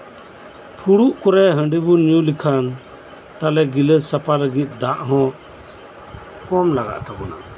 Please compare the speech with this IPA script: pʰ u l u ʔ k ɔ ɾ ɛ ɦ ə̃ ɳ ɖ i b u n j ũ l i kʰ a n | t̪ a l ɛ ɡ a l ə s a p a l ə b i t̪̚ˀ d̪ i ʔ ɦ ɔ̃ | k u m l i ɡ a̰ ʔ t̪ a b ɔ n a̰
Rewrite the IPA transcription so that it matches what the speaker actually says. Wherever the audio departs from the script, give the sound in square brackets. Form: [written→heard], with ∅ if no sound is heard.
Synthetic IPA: pʰ u [l→ɽ] u ʔ k ɔ ɾ ɛ ɦ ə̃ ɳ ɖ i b u n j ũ l i kʰ a n | t̪ a l ɛ ɡ [a→i] l ə s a p a l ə [b→ɡ] i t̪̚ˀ d̪ [i→a] ʔ ɦ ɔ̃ | k [u→ɔ] m l [i→a] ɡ a̰ ʔ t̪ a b ɔ n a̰

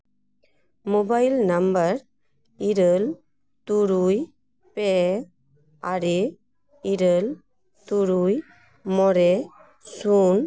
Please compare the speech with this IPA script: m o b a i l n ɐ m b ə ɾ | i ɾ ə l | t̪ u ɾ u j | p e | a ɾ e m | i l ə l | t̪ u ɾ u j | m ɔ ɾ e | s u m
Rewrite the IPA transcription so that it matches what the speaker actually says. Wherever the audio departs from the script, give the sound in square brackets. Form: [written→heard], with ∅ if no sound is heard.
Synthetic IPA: m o b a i l n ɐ m b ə ɾ | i ɾ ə l | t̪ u ɾ u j | p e | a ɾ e [m→∅] | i [l→ɾ] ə l | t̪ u ɾ u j | m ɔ ɾ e | s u [m→n]

